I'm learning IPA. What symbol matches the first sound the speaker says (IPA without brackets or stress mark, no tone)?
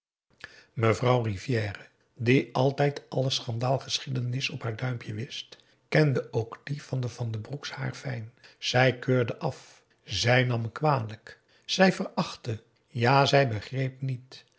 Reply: m